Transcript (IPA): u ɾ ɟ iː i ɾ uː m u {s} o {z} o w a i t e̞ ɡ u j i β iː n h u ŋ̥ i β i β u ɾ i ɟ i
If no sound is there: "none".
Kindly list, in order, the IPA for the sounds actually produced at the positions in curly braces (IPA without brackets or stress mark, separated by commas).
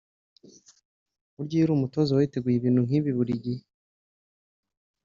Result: t, z